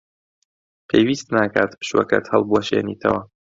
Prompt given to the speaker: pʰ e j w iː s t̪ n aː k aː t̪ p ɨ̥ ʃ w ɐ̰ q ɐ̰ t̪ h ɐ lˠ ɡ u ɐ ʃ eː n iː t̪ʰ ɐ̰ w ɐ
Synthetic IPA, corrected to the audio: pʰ e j w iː s t̪ n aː k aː t̪ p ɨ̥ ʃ w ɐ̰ k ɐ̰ t̪ h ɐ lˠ b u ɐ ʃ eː n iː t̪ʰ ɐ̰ w ɐ